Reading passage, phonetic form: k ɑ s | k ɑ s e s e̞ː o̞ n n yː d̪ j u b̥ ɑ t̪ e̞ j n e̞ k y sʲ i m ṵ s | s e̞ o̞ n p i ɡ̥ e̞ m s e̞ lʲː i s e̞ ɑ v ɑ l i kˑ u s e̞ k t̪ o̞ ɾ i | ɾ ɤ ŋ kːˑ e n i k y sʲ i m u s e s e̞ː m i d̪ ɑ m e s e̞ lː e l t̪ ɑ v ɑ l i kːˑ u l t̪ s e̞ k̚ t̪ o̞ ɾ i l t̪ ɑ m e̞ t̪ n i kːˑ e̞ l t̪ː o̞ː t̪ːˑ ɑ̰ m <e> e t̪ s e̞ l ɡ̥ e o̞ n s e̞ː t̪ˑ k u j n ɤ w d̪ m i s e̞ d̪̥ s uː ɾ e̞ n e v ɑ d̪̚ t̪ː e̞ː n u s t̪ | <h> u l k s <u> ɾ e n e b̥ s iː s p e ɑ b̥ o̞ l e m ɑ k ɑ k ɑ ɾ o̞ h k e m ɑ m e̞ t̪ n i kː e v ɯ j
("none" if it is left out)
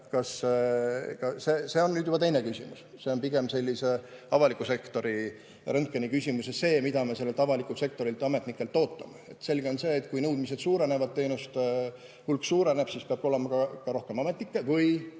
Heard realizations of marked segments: e, h, uː

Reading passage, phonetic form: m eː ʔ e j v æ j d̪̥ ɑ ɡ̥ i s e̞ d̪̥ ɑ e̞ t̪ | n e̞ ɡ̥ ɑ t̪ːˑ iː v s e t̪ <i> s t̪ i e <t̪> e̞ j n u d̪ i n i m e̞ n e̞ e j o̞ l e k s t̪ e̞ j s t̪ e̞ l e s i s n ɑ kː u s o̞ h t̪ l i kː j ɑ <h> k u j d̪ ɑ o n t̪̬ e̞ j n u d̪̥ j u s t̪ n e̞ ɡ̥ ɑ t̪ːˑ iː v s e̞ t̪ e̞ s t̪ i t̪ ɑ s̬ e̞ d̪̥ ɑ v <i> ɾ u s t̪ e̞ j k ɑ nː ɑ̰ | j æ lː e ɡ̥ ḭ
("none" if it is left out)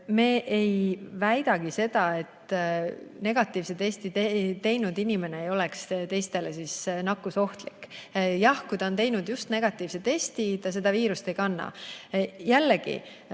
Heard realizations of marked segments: e, t̪, h, iː

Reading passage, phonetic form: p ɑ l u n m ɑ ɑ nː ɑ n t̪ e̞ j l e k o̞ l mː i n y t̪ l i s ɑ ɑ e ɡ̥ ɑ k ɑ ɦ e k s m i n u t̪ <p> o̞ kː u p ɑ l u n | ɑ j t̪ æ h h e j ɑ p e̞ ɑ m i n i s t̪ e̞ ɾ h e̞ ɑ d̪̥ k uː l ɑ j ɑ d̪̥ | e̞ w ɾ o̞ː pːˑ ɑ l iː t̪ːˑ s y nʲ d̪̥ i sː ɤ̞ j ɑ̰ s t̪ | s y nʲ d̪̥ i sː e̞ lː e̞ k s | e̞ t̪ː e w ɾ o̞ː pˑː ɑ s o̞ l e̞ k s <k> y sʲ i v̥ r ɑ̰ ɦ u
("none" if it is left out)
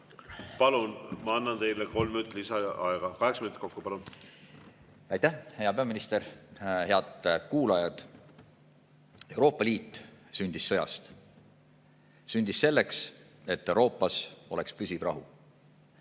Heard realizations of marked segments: k, p

